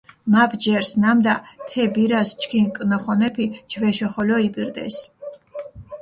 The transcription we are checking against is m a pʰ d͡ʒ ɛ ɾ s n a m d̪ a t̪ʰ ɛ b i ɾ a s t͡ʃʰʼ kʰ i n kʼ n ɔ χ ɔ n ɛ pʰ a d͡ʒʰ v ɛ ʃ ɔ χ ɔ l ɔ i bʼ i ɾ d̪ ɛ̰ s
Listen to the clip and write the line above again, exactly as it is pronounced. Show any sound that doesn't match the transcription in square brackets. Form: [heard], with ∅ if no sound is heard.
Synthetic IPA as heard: m a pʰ d͡ʒ ɛ ɾ s n a m d̪ a t̪ʰ ɛ b i ɾ a s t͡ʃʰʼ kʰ i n kʼ n ɔ χ ɔ n ɛ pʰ [i] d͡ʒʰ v ɛ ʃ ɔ χ ɔ l ɔ i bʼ i ɾ d̪ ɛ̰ s